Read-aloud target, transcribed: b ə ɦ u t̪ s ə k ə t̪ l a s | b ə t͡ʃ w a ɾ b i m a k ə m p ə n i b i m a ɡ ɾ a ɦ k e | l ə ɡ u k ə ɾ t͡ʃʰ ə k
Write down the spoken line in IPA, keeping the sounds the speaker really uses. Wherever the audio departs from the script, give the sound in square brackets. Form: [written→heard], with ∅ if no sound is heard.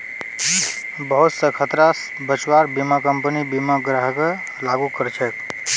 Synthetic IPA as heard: b ə ɦ u t̪ s ə [k→kʰ] ə t̪ [l→ɾ] a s | b ə t͡ʃ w a ɾ b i m a k ə m p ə n i b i m a ɡ ɾ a ɦ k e | l [ə→a] ɡ u k ə ɾ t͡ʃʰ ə k